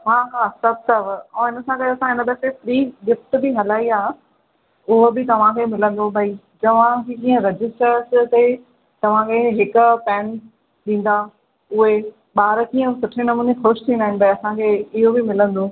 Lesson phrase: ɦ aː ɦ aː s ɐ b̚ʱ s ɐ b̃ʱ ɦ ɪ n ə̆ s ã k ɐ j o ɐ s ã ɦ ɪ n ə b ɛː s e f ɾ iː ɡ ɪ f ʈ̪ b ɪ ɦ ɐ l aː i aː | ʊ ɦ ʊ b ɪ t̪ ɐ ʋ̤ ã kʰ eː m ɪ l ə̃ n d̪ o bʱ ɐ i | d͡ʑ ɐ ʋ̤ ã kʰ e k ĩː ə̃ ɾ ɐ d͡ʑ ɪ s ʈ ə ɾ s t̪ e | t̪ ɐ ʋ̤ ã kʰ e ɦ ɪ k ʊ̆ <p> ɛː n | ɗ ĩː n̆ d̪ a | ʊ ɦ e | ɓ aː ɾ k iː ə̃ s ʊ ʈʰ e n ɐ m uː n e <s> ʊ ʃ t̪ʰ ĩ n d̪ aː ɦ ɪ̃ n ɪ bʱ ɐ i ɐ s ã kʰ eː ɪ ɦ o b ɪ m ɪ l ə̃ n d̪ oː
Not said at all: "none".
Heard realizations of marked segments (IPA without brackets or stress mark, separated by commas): p, x